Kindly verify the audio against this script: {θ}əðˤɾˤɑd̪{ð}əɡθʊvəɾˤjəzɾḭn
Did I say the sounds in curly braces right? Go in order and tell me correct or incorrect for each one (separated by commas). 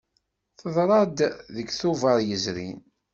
correct, correct